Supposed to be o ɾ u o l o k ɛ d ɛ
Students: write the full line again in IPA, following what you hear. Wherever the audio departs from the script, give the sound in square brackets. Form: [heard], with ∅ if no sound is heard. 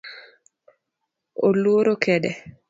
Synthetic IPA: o [l] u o [ɾ] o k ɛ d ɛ